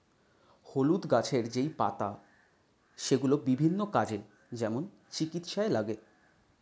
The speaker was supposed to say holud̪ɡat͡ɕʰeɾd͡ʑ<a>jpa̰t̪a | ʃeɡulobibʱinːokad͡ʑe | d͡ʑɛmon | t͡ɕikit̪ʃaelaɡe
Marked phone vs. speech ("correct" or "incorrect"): incorrect